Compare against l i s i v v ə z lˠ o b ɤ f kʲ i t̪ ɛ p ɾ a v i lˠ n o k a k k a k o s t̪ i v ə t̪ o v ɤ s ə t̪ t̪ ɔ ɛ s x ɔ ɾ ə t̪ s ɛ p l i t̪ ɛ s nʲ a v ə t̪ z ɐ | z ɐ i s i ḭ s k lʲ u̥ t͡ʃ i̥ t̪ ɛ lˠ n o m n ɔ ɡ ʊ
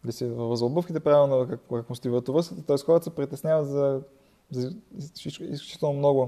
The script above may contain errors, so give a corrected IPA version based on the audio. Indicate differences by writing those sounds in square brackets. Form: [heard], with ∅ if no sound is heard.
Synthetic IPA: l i s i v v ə z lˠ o b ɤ f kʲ i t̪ ɛ p ɾ a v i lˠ n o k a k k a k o s t̪ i v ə t̪ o v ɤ s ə t̪ t̪ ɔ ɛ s x ɔ ɾ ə t̪ s ɛ p [ɾ] i t̪ ɛ s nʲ a v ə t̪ z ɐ | z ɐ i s i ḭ s k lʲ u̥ t͡ʃ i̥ t̪ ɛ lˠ n o m n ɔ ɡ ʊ